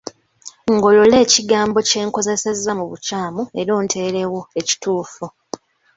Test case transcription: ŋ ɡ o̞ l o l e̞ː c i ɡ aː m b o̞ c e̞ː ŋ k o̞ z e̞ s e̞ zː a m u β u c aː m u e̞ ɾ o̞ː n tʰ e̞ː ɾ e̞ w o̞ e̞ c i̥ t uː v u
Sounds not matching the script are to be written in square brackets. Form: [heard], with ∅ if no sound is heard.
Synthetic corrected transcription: ŋ ɡ o̞ l o l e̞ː c i ɡ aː m b o̞ c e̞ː ŋ k o̞ z e̞ s e̞ zː a m u β u c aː m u e̞ ɾ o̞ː n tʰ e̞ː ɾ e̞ w o̞ e̞ c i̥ t uː [f] u